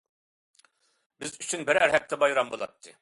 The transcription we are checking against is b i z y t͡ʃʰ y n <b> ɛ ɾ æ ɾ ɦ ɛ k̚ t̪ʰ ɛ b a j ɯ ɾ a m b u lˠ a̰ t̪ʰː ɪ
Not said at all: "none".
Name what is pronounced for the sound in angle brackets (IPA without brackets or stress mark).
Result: b